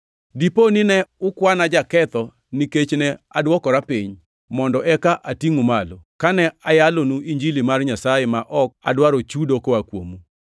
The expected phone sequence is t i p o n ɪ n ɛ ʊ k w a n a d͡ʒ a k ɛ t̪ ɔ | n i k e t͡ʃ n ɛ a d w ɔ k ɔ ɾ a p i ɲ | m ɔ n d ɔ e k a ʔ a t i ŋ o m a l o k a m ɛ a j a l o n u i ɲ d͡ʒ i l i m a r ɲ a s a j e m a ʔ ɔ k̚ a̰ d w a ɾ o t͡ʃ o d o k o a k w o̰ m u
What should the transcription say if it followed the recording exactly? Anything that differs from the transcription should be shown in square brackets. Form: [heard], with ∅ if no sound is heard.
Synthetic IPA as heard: [d] i p o n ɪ n ɛ ʊ k w a n a d͡ʒ a k ɛ t̪ ɔ | n i k e t͡ʃ n ɛ a d w ɔ k ɔ ɾ a p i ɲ | m ɔ n d ɔ [ɛ] k a ʔ a t i ŋ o m a l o k a [n] ɛ a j a l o n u i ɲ d͡ʒ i l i m a r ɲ a s a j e m a ʔ ɔ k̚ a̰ d w a ɾ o t͡ʃ [u] d o k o a k w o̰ m u